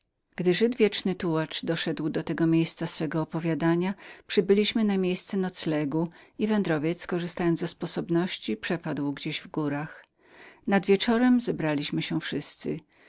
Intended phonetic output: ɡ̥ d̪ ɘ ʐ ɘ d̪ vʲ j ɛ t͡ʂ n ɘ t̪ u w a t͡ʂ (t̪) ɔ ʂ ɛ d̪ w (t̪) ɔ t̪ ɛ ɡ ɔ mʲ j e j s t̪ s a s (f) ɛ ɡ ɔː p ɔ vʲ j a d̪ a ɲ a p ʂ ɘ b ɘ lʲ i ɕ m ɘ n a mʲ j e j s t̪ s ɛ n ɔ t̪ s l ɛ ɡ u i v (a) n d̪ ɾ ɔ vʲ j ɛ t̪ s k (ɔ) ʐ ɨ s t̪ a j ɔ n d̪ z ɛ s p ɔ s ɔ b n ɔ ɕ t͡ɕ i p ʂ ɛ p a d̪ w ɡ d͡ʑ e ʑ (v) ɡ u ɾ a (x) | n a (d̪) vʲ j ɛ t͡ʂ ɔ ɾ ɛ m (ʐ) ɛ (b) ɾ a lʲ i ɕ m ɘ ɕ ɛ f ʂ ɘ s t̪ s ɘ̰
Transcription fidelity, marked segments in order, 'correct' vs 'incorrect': incorrect, incorrect, correct, incorrect, correct, correct, correct, correct, incorrect, correct

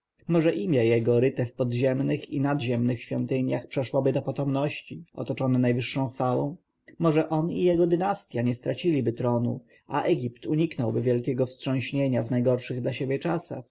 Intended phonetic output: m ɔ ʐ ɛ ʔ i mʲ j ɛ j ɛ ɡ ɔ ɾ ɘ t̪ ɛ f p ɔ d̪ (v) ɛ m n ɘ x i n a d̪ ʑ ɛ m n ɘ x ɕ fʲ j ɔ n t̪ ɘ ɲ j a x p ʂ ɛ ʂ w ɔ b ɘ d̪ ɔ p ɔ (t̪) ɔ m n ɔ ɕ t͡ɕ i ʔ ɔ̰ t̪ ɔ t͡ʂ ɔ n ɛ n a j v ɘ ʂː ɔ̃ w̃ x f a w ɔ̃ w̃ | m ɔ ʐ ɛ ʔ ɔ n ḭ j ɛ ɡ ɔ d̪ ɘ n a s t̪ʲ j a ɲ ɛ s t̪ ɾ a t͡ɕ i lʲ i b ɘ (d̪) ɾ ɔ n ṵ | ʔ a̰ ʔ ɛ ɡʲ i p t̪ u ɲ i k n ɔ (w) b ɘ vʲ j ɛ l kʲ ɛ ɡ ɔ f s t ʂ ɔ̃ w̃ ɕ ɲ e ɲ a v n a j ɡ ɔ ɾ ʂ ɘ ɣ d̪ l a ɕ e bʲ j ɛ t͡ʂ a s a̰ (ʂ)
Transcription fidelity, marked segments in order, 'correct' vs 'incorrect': incorrect, correct, incorrect, correct, incorrect

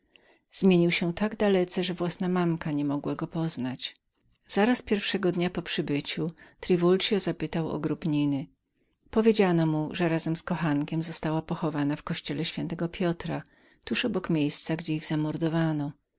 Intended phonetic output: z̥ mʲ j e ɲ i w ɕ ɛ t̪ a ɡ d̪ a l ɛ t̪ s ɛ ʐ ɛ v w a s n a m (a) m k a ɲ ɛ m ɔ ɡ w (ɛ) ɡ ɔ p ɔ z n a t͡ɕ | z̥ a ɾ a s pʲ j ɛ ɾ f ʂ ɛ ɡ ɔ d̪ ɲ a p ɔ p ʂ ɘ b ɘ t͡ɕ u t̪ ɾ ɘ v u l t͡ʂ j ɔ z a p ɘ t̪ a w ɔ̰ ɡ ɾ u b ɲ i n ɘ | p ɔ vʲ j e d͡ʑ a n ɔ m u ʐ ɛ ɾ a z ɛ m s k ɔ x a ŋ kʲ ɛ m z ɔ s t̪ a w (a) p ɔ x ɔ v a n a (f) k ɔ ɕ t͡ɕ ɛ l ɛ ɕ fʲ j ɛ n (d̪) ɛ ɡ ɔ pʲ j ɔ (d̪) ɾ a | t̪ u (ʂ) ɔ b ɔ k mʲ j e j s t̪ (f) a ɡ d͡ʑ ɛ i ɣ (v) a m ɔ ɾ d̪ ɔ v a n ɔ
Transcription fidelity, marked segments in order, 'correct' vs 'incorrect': correct, incorrect, correct, correct, incorrect, incorrect, correct, incorrect, incorrect

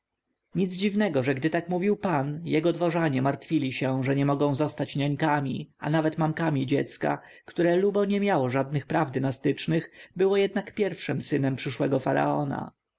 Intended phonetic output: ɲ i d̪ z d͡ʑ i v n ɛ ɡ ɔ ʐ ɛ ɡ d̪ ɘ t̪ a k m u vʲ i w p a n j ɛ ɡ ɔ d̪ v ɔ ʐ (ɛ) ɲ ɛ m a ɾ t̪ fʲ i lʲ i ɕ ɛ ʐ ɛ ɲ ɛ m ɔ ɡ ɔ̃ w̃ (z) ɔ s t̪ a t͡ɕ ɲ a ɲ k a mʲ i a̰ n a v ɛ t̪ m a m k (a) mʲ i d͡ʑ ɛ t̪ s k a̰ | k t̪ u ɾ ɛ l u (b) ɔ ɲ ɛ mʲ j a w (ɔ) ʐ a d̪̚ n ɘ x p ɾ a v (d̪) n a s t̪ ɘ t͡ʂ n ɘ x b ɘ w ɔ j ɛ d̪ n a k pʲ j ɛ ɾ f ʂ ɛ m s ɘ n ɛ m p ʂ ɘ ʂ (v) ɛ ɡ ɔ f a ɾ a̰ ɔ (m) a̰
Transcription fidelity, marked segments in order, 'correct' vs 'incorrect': incorrect, correct, correct, correct, correct, correct, incorrect, incorrect

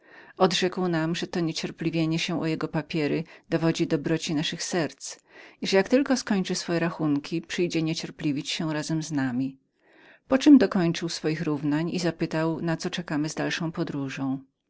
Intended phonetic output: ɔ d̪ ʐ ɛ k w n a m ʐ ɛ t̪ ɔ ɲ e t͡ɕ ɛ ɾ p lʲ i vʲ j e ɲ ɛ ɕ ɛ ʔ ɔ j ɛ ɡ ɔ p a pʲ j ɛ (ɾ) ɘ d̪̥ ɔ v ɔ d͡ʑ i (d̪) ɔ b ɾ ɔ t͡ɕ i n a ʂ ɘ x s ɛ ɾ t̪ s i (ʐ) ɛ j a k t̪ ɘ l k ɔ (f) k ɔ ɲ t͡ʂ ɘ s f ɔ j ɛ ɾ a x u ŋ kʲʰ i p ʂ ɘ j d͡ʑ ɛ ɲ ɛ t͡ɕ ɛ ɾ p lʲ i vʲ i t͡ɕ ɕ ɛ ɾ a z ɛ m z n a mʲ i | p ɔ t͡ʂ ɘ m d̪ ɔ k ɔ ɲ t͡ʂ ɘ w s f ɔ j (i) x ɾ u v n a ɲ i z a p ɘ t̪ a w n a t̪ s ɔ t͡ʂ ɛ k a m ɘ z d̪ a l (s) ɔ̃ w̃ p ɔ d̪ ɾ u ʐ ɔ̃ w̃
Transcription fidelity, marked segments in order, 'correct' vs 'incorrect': correct, correct, correct, incorrect, correct, incorrect

